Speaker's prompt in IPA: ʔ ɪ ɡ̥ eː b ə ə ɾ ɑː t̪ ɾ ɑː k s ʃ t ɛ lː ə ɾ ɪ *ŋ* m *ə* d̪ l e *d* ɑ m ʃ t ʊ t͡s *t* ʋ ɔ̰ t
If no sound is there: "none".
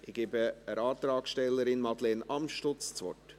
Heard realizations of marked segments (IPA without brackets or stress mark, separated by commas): n, ɑ, n, t͡s